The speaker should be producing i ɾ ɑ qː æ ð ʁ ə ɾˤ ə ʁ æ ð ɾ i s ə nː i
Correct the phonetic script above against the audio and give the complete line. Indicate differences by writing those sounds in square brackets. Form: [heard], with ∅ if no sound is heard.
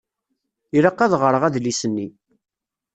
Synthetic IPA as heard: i ɾ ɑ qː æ ð ʁ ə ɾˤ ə ʁ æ ð [l] i s ə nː i